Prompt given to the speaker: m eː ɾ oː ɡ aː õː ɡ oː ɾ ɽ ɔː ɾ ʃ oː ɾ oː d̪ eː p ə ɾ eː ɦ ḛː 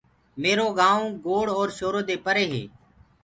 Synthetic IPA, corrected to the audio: m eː ɾ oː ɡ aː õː ɡ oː ɽ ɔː ɾ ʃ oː ɾ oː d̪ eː p ə ɾ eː ɦ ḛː